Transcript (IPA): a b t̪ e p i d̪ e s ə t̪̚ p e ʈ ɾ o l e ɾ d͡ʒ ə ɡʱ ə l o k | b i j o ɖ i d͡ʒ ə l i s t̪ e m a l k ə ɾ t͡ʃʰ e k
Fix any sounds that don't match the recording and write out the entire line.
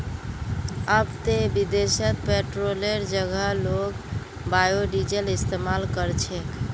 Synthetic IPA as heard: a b t̪ e b i d̪ e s ə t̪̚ p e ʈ ɾ o l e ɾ d͡ʒ ə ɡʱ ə l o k | b a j o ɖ i d͡ʒ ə l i s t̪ e m a l k ə ɾ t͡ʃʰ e k